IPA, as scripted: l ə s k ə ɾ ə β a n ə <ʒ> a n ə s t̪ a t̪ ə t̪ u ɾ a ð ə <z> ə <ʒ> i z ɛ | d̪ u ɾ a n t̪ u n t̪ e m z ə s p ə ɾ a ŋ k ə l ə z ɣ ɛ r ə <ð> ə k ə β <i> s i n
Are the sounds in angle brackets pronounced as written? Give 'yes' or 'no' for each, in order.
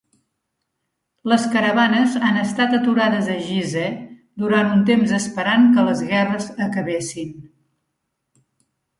no, yes, yes, no, no

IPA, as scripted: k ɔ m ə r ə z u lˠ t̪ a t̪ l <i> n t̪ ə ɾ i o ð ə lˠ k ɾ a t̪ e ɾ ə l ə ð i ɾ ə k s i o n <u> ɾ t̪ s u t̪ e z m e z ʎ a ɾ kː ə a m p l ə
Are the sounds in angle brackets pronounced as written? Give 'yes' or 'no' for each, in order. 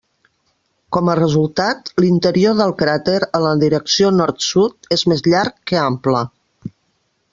yes, no

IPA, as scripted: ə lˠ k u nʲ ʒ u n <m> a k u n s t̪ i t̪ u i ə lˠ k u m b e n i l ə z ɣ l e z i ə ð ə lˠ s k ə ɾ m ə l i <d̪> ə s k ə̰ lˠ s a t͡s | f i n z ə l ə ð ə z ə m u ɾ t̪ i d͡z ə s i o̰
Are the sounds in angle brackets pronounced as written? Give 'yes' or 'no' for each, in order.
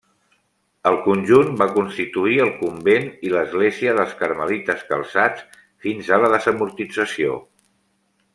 no, no

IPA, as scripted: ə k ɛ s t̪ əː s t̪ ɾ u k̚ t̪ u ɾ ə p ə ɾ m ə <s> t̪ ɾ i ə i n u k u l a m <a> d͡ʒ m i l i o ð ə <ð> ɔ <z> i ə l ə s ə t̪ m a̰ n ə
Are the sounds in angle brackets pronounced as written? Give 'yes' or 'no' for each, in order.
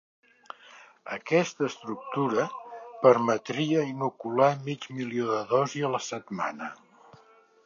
no, no, yes, yes

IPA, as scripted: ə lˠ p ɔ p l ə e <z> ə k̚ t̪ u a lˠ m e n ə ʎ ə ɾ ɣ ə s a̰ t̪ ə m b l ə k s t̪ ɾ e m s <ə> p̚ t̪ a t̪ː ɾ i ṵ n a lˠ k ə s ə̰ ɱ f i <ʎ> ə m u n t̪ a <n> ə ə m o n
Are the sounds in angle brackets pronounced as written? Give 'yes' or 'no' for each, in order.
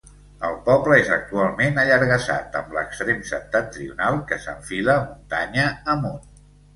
yes, yes, no, no

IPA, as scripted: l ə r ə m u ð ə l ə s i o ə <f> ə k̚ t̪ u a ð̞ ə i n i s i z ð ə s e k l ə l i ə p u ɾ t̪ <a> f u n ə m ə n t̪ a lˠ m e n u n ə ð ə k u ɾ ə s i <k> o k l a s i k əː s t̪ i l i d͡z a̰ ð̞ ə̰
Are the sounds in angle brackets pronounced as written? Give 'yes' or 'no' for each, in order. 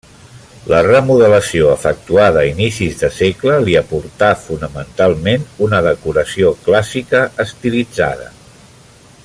yes, yes, no

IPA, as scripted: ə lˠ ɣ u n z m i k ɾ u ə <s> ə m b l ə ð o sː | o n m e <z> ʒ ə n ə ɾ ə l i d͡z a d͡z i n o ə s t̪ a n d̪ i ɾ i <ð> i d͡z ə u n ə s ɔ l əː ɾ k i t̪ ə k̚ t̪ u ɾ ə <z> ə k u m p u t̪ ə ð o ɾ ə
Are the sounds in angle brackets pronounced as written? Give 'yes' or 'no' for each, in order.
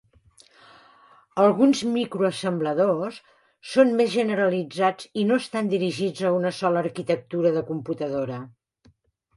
yes, yes, no, no

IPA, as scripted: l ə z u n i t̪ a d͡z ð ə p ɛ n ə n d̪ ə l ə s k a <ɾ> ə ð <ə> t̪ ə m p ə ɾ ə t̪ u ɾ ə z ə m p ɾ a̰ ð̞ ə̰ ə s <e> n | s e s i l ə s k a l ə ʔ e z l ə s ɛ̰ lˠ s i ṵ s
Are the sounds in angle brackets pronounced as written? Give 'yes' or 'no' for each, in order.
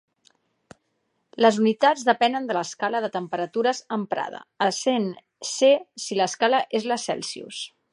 no, yes, yes

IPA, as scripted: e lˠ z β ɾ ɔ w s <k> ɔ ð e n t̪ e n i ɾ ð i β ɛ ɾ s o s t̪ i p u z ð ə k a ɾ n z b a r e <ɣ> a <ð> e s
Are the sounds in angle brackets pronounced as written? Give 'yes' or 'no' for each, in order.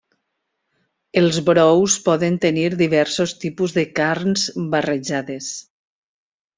no, no, yes

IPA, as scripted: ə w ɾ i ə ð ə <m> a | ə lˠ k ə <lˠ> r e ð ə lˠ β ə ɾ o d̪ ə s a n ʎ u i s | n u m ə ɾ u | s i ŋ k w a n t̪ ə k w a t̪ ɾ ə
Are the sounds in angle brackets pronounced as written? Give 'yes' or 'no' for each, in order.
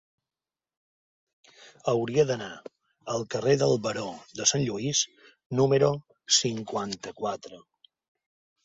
no, no

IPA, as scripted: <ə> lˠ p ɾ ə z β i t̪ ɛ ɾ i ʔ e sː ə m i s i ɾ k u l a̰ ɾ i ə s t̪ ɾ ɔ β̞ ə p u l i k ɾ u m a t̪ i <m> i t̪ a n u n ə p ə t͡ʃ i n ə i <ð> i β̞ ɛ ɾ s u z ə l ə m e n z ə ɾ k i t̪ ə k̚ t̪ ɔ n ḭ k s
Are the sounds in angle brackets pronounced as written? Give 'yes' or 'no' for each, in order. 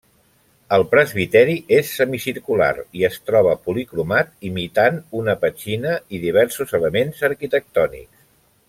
yes, yes, yes

